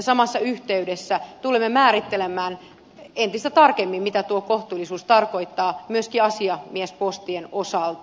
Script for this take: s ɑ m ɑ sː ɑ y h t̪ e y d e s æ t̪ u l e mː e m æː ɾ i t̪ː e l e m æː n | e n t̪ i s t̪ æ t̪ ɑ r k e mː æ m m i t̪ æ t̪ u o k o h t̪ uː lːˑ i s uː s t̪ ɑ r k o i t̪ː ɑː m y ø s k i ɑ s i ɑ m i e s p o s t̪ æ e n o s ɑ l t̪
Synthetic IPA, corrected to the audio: s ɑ m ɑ sː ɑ y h t̪ e y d e sː æ t̪ u l e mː e m æː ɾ i t̪ː e l e m æː n | e n t̪ i s t̪ æ t̪ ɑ r k e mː i m m i t̪ æ t̪ u o k o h t̪ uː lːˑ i s uː s t̪ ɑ r k o i t̪ː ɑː m y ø s k i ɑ s i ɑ m i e s p o s t̪ i e n o s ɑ l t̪